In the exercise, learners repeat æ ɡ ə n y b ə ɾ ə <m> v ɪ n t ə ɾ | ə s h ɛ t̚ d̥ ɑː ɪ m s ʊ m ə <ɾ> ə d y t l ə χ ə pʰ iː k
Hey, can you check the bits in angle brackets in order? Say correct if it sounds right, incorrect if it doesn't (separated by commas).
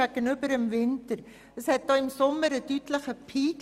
correct, correct